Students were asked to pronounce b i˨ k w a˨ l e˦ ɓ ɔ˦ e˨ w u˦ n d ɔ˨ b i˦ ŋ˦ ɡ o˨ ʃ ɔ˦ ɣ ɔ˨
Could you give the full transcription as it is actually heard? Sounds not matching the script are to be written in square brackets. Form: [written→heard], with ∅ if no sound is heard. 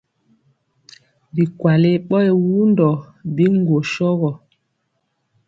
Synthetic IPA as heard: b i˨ k w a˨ l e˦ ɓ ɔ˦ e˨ w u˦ n d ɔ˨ b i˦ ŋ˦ ɡ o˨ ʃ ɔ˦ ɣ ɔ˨